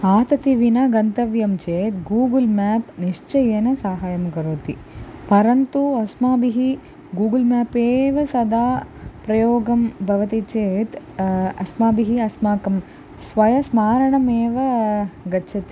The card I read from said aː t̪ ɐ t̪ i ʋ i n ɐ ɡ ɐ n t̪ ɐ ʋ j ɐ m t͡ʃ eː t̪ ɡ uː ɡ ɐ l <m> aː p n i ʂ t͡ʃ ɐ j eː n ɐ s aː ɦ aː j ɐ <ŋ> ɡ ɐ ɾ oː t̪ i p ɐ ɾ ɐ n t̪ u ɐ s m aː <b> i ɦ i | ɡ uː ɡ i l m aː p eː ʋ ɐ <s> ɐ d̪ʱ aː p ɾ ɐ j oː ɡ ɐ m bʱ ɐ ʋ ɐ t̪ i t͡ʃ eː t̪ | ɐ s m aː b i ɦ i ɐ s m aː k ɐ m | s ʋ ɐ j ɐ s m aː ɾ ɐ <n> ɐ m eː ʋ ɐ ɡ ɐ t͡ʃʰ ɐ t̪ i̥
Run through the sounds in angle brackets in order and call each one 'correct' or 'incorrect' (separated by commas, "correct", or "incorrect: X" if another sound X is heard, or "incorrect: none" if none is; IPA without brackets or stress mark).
correct, incorrect: m, correct, correct, incorrect: ɳ